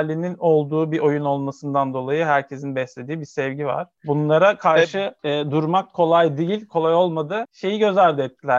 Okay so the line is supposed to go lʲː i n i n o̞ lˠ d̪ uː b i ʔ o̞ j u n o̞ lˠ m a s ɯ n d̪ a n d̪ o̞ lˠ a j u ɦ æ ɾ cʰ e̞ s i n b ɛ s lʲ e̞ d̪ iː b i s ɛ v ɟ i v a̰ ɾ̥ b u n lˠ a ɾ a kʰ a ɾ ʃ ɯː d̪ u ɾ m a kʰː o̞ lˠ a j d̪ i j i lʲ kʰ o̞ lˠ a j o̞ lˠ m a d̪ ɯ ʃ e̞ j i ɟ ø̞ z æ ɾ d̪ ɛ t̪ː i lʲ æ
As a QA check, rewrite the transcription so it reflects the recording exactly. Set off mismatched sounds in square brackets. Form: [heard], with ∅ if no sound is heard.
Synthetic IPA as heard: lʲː i n i n o̞ lˠ d̪ uː b i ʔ o̞ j u n o̞ lˠ m a s ɯ n d̪ a n d̪ o̞ lˠ a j [ɯ] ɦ æ ɾ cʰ e̞ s i n b ɛ s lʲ e̞ d̪ iː b i s ɛ v ɟ i v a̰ ɾ̥ b u n lˠ a ɾ a kʰ a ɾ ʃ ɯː d̪ u ɾ m a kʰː o̞ lˠ a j d̪ i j i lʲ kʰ o̞ lˠ a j o̞ lˠ m a d̪ ɯ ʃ e̞ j i ɟ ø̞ z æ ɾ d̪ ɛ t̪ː i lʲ æ